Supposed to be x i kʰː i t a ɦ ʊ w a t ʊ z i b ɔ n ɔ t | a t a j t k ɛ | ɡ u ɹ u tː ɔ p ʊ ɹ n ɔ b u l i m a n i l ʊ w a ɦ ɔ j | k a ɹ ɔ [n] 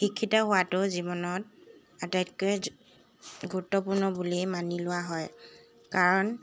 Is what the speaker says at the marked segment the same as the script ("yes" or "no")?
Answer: yes